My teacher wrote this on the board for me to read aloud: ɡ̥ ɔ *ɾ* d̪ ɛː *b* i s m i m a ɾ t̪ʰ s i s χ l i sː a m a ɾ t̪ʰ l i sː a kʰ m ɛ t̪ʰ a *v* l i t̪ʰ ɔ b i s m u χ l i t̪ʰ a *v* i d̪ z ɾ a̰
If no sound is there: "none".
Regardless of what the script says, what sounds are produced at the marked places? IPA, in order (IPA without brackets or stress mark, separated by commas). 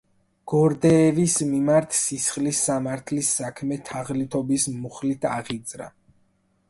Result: ɾ, v, ʁ, ʁ